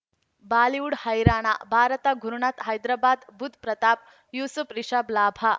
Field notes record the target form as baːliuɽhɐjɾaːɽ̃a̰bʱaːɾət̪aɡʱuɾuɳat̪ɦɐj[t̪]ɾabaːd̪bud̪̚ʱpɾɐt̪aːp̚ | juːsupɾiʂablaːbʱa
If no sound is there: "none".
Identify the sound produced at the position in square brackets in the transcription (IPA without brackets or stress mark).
d̪